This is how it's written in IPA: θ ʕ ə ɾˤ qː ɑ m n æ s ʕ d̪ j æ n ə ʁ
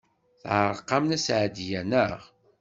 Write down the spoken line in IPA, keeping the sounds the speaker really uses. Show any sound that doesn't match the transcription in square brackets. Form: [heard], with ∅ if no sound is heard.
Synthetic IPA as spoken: θ ʕ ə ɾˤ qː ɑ m n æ s ʕ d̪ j æ n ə ʁ